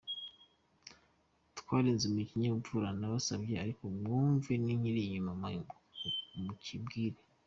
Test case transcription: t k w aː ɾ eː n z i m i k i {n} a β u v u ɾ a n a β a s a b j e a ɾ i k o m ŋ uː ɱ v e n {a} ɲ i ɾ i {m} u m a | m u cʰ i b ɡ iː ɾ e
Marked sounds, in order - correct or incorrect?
incorrect: ɲ, incorrect: i, incorrect: ɲ

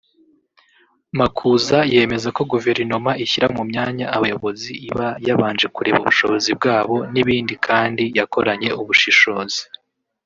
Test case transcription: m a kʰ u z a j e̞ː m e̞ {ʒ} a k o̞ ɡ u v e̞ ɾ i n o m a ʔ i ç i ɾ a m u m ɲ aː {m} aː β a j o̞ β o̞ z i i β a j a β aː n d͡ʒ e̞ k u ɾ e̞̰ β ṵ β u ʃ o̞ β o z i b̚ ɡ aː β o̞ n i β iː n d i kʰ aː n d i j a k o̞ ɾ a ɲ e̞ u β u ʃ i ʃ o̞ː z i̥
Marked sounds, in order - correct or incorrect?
incorrect: z, incorrect: ɲ

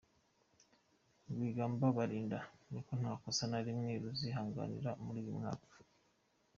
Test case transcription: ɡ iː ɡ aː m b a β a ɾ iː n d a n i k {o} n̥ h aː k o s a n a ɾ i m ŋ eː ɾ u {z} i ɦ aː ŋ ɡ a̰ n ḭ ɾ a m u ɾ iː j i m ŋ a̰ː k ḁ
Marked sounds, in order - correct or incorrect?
correct, correct

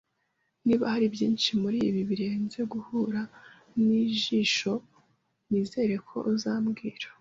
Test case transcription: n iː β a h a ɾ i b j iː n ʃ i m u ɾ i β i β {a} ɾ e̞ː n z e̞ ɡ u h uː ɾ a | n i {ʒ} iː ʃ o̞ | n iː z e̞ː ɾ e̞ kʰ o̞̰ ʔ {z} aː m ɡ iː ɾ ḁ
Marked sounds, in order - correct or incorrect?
incorrect: i, correct, correct

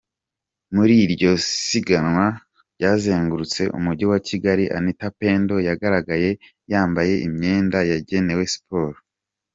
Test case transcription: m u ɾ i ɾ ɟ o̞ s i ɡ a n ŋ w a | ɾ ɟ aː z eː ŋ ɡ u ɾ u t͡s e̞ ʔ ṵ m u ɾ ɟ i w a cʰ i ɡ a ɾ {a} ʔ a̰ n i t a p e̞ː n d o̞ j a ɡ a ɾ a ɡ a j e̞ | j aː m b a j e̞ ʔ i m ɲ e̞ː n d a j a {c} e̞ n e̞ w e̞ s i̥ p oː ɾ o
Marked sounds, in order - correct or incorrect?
incorrect: i, incorrect: ɟ

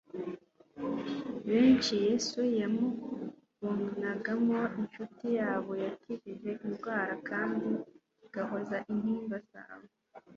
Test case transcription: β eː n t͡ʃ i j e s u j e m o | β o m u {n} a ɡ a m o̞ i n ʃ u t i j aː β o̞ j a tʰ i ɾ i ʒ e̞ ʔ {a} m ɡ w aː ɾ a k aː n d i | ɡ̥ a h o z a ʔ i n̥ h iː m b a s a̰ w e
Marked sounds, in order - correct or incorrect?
correct, incorrect: i

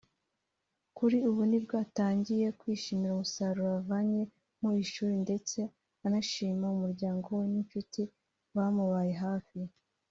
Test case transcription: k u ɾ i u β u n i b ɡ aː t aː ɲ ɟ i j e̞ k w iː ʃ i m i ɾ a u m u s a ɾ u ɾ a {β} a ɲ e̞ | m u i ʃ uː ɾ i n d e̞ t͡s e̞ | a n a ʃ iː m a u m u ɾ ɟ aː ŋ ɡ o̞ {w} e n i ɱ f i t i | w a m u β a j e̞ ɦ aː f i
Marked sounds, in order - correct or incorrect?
incorrect: v, correct

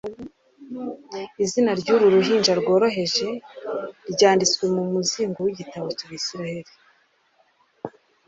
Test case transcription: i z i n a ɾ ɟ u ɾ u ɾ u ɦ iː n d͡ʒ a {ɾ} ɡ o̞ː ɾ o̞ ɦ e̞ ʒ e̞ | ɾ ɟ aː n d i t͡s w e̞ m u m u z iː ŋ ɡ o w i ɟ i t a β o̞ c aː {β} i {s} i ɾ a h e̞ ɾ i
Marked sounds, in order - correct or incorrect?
correct, correct, correct

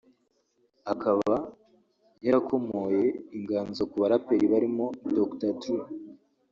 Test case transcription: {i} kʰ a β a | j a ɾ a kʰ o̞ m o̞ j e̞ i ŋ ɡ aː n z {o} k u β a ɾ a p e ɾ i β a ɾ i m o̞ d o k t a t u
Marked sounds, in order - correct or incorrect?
incorrect: a, correct

